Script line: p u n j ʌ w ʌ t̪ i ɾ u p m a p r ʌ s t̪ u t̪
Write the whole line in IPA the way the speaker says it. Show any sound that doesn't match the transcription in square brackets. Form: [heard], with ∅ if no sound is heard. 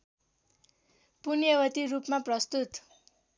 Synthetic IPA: p u n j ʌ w ʌ t̪ i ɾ u p m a p r ʌ s t̪ u t̪

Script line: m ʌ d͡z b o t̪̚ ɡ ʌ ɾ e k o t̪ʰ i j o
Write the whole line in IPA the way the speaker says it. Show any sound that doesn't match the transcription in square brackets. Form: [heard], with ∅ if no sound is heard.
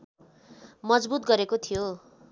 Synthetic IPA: m ʌ d͡z b [u] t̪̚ ɡ ʌ ɾ e k o t̪ʰ i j o

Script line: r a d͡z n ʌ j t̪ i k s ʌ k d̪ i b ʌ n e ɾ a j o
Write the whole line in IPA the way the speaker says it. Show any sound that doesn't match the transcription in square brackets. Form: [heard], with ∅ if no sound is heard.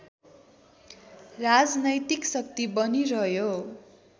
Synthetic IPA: r a d͡z n ʌ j t̪ i k s ʌ k [t̪] i b ʌ n [i] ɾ [ʌ] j o

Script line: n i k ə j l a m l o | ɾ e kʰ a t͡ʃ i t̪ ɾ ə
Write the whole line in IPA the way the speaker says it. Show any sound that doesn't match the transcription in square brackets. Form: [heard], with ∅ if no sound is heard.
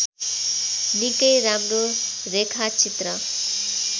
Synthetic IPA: n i k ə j [ɾ] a m [ɾ] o | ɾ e kʰ a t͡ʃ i t̪ ɾ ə

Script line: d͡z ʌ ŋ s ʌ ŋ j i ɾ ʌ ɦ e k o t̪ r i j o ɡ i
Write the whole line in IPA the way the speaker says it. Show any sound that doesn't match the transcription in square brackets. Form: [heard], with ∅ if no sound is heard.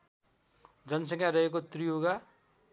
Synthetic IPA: d͡z ʌ [n] s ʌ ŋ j [a] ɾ ʌ ɦ e k o t̪ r i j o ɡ [a]

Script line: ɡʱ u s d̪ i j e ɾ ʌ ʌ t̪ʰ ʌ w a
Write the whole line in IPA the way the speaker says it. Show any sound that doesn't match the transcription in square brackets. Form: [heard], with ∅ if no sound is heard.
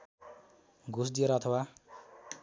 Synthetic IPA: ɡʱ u s d̪ i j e ɾ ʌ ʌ t̪ʰ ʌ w a

